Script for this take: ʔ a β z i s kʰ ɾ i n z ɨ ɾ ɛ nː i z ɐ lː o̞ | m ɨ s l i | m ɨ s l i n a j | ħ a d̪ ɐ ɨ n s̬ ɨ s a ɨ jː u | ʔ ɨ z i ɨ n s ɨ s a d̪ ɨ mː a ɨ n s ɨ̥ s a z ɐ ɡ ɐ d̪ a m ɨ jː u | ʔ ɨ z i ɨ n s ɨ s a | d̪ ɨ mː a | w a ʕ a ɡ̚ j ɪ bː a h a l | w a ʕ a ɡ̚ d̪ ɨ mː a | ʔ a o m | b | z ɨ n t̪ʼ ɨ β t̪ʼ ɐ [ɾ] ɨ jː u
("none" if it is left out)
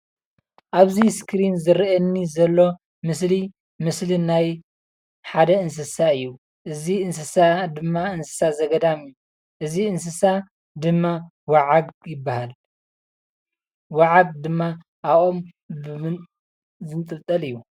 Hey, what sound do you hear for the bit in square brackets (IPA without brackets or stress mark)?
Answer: l